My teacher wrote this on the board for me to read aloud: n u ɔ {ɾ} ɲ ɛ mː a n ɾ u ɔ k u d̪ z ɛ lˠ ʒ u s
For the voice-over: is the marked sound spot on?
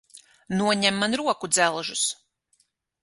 no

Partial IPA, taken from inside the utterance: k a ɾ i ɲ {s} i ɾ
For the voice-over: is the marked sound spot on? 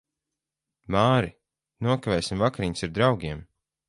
yes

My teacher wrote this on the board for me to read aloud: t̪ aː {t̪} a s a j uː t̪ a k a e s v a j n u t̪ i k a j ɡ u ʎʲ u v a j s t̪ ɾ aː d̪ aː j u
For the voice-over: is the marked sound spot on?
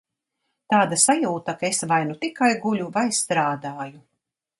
no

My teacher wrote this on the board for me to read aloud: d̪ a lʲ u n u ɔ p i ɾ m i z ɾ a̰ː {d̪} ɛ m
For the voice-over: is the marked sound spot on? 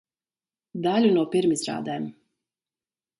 yes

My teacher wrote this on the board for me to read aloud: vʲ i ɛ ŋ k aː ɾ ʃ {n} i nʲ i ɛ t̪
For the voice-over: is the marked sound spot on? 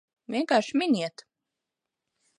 no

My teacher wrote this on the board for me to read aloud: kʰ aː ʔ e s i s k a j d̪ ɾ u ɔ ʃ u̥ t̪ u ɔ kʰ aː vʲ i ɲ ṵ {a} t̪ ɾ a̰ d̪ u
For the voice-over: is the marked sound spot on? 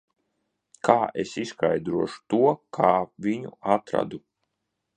yes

